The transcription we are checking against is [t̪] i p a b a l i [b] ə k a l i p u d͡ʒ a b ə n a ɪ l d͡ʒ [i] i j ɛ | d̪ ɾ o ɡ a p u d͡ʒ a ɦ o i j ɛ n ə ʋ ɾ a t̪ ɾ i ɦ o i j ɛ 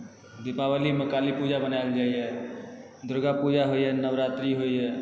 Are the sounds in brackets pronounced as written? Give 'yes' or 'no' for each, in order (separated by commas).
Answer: no, no, no